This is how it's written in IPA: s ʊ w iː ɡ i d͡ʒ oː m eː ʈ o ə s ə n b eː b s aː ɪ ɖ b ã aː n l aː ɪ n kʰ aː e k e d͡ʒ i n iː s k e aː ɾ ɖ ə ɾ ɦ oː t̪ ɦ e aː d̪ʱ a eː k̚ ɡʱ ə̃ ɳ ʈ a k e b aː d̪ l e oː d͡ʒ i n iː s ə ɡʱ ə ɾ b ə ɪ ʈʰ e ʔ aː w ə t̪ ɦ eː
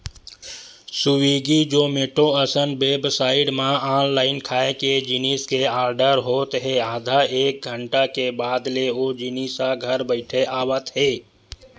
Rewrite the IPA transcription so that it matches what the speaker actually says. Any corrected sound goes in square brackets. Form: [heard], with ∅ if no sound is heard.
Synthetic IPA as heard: s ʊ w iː ɡ i d͡ʒ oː m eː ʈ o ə s ə n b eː b s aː ɪ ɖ [m] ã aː n l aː ɪ n kʰ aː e k e d͡ʒ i n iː s k e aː ɾ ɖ ə ɾ ɦ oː t̪ ɦ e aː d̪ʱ a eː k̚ ɡʱ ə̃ ɳ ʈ a k e b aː d̪ l e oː d͡ʒ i n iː s [a] ɡʱ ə ɾ b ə ɪ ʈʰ e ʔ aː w ə t̪ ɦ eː